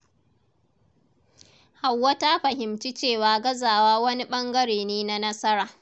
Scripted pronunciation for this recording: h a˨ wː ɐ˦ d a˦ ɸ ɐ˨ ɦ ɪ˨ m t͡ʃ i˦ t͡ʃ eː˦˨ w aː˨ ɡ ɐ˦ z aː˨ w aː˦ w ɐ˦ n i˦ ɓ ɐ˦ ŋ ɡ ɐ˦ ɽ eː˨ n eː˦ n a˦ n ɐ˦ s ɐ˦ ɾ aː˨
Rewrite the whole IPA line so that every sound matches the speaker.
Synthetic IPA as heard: h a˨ wː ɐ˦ t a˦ ɸ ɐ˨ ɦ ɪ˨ m t͡ʃ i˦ t͡ʃ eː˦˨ w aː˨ ɡ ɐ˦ z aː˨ w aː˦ w ɐ˦ n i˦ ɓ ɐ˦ ŋ ɡ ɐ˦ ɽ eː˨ n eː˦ n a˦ n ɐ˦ s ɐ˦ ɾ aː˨